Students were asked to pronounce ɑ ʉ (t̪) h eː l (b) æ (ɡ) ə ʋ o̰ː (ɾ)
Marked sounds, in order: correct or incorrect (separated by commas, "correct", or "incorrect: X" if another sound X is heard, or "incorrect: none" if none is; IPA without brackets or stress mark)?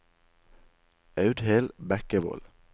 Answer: incorrect: d̪, correct, incorrect: k, incorrect: l